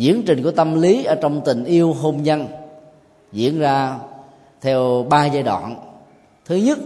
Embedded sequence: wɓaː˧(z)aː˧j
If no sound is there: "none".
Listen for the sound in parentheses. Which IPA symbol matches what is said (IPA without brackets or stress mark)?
z